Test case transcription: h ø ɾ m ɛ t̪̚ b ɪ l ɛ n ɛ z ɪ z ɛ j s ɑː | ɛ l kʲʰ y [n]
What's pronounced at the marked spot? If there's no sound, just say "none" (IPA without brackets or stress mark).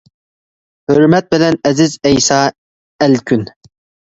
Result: n